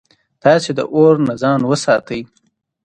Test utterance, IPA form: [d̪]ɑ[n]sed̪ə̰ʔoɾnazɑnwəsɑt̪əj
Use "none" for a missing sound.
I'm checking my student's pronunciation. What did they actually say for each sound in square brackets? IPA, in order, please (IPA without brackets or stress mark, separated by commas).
t̪, none